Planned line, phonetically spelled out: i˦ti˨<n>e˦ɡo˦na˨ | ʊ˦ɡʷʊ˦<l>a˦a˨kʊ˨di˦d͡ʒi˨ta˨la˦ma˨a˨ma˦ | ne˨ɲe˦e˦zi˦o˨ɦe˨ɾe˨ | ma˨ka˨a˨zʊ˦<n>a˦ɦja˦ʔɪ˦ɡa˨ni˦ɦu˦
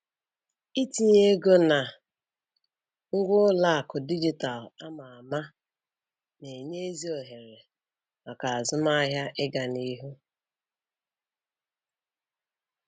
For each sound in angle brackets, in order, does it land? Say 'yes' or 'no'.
no, yes, no

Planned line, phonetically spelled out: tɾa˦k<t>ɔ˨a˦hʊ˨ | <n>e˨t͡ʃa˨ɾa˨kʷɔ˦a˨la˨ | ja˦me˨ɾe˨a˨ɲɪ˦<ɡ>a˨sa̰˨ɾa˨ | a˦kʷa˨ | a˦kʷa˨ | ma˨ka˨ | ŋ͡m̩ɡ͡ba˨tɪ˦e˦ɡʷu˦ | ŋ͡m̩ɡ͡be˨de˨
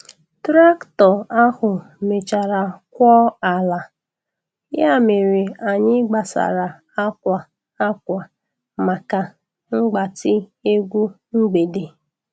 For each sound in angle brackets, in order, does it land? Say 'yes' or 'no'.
yes, no, no

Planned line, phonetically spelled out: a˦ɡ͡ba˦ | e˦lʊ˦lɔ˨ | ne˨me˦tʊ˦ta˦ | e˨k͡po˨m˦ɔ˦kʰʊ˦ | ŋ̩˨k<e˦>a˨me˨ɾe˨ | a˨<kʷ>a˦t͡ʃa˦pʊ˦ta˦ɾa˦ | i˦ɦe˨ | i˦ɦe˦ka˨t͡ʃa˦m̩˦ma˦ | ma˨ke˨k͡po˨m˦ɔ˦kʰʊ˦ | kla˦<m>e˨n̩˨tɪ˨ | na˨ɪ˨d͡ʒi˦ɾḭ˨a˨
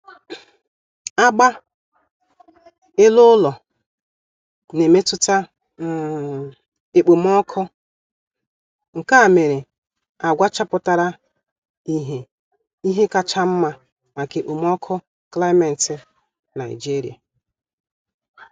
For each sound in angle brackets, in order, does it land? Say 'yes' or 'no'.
no, no, yes

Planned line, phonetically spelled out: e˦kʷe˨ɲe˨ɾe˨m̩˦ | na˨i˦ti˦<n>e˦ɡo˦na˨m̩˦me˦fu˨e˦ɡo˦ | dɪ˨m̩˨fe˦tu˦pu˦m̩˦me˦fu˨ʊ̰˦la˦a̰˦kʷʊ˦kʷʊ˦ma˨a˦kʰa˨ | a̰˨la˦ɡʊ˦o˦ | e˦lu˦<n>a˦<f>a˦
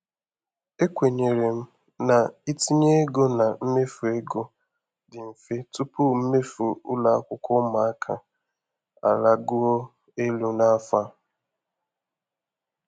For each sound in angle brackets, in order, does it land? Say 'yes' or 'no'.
no, yes, yes

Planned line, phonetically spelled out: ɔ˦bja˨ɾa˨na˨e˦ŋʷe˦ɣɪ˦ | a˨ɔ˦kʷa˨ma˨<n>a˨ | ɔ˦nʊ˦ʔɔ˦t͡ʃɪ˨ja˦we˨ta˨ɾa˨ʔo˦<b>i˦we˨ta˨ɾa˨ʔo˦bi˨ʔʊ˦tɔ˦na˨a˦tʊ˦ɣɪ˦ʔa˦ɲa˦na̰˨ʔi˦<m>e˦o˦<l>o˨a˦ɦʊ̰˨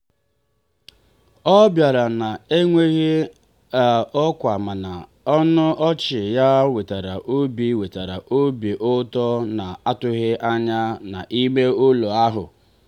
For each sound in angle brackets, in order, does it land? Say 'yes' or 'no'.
yes, yes, yes, yes

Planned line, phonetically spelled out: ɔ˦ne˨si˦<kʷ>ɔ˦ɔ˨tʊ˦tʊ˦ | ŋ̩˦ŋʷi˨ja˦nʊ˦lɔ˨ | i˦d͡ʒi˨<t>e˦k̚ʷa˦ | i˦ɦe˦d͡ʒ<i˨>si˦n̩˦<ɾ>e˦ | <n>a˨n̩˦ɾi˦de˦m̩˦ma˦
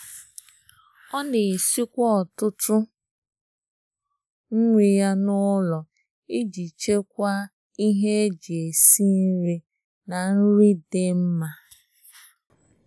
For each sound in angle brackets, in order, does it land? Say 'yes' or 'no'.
yes, no, no, yes, yes

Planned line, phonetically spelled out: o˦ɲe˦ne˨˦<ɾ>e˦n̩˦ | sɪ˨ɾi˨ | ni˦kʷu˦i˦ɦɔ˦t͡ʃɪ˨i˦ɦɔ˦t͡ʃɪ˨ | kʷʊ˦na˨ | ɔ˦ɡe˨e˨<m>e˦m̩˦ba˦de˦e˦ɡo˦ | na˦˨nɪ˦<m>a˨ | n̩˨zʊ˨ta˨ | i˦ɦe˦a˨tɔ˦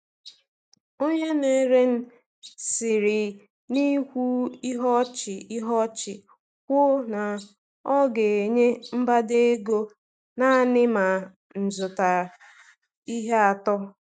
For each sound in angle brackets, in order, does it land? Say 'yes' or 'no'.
yes, no, yes

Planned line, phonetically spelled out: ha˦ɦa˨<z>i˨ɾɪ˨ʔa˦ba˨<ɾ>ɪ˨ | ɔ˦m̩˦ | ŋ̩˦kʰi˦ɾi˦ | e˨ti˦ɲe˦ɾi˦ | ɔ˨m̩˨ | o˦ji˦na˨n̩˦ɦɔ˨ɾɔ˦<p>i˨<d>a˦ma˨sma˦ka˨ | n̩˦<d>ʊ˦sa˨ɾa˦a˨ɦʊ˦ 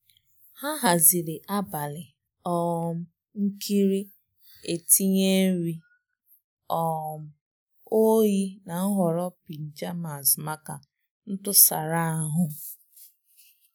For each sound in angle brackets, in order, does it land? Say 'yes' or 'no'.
yes, no, yes, no, no

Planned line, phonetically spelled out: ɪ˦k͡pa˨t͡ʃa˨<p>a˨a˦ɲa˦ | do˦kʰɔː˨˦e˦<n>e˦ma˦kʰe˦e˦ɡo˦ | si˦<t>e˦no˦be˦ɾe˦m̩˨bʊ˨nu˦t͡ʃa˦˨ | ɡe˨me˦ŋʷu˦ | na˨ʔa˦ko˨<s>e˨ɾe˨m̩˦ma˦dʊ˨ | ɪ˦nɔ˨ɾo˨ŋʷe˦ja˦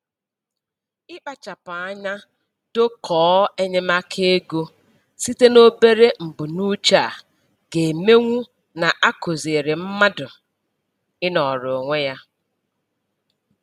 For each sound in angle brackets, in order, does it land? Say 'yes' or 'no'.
yes, no, yes, no

